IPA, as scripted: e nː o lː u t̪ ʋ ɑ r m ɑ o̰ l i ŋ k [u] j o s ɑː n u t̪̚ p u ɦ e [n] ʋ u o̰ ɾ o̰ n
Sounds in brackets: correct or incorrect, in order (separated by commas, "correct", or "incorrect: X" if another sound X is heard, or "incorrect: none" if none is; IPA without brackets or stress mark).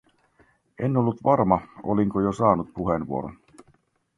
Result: incorrect: o, correct